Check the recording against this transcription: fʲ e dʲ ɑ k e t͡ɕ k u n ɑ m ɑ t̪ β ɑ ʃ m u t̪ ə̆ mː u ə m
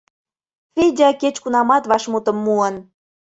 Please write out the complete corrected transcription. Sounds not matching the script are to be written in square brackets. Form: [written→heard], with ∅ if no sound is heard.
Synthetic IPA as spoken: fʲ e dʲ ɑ k e t͡ɕ k u n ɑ m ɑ t̪ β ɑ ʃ m u t̪ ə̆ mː u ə [m→n]